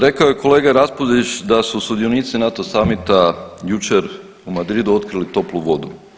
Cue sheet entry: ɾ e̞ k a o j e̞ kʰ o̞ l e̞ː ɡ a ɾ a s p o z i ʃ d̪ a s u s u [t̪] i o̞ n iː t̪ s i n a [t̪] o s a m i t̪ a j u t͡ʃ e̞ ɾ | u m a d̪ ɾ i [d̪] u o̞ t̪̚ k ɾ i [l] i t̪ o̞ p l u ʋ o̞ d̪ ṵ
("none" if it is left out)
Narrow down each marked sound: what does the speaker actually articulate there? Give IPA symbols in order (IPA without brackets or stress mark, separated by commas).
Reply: d̪, t̪, d̪, l